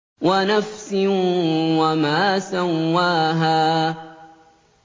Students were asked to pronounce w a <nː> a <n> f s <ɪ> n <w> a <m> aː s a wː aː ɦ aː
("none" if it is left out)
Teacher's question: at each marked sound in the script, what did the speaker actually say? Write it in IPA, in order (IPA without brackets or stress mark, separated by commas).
n, none, ɪ, w, m